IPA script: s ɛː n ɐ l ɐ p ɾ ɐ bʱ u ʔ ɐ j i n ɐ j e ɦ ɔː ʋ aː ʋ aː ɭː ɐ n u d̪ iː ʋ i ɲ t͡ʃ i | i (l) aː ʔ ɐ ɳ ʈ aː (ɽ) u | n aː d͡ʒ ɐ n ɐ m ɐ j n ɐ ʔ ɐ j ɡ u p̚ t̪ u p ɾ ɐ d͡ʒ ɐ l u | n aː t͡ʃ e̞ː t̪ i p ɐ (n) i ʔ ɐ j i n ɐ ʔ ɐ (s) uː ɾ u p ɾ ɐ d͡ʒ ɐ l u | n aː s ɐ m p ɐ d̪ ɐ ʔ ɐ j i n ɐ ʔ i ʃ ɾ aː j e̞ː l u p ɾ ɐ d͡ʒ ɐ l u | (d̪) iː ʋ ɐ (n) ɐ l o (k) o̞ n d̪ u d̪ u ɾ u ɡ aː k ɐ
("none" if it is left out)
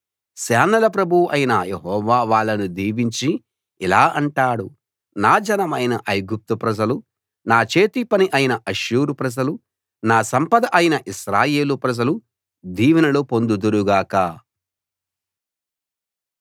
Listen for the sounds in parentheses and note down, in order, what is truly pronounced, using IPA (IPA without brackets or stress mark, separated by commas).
l, ɽ, n, ʃ, d̪, n, p